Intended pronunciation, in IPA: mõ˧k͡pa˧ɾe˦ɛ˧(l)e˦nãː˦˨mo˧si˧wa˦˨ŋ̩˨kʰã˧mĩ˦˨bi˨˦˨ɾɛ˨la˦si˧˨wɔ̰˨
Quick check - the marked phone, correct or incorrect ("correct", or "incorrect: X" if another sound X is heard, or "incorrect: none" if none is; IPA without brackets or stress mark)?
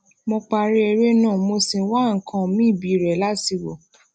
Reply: incorrect: ɾ